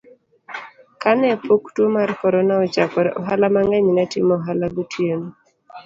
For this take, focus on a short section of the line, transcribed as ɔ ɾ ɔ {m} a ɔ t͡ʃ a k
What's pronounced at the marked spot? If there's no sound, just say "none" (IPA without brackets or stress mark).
n